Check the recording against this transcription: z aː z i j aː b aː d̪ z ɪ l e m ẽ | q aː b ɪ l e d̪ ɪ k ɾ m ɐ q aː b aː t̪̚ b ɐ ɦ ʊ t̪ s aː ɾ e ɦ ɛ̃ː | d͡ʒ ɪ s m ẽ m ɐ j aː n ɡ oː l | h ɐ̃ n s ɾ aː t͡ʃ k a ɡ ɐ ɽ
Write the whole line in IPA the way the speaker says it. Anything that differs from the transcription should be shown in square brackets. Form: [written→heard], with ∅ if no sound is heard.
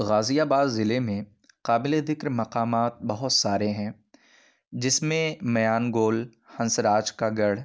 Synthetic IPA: [z→ɣ] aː z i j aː b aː d̪ z ɪ l e m ẽ | q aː b ɪ l e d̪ ɪ k ɾ m ɐ q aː [b→m] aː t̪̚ b ɐ ɦ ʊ t̪ s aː ɾ e ɦ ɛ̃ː | d͡ʒ ɪ s m ẽ m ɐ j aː n ɡ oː l | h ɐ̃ n s ɾ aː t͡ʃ k a ɡ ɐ ɽ